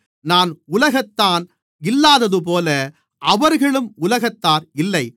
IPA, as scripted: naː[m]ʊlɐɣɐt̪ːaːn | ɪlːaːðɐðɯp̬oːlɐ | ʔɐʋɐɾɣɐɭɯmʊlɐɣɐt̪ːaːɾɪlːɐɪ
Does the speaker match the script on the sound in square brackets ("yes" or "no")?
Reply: no